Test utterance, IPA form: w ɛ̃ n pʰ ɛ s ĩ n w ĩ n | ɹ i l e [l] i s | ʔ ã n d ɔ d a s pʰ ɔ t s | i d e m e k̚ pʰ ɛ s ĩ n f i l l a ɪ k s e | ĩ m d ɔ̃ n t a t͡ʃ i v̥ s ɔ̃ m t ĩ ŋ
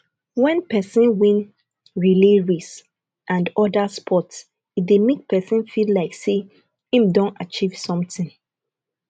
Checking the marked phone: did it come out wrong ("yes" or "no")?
yes